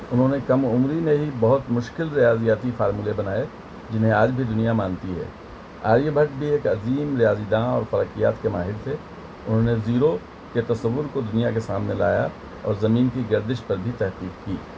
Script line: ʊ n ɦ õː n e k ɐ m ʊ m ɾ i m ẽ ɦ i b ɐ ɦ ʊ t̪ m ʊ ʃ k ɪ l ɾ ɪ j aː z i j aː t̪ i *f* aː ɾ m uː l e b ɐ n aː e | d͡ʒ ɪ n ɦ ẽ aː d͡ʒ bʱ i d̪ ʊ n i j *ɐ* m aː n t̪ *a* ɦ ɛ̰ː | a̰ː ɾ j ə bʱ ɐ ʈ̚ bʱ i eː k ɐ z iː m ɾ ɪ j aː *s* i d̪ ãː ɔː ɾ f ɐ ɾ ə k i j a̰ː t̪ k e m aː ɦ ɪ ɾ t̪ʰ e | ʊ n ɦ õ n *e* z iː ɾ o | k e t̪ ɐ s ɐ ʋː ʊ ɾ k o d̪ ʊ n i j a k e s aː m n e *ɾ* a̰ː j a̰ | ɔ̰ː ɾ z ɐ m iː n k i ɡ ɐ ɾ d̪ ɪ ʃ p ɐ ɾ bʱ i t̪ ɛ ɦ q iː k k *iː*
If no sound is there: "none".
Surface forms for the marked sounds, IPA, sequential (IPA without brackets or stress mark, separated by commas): f, a, i, z, e, l, iː